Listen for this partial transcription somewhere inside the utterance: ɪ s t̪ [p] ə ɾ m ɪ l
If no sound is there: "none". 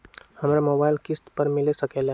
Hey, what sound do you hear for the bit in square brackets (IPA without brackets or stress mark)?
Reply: p